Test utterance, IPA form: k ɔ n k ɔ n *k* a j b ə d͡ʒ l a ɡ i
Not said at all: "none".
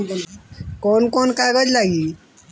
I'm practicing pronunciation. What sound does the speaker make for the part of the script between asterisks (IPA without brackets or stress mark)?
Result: k